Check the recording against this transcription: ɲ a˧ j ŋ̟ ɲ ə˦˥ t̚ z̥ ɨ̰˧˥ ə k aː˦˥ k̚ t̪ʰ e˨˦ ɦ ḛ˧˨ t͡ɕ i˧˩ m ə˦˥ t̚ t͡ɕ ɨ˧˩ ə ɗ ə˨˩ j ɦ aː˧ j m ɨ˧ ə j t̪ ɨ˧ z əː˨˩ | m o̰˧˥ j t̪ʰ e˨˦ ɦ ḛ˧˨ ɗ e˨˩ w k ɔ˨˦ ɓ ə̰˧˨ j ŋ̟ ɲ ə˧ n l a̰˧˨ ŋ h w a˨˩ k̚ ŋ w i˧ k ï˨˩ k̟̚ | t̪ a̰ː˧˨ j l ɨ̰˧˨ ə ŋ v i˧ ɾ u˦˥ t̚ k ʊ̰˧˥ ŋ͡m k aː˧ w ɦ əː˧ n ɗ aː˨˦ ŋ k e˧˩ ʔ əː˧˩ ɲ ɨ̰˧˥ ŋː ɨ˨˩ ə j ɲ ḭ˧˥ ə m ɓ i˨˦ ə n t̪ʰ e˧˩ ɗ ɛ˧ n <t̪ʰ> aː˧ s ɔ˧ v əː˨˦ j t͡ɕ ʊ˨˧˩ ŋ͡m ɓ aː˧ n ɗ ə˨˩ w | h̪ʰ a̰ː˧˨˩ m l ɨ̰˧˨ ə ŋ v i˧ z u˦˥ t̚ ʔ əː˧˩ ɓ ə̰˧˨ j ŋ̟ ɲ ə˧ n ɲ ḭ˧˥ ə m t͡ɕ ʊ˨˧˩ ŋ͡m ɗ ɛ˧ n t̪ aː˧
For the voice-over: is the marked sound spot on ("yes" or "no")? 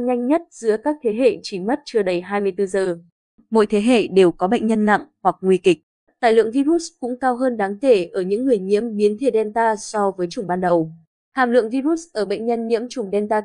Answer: no